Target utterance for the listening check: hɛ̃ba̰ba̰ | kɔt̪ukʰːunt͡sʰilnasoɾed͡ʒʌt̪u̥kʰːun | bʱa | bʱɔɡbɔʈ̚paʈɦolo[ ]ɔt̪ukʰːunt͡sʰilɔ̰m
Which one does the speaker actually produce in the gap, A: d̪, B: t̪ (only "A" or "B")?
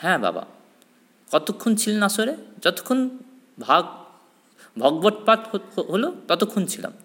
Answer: B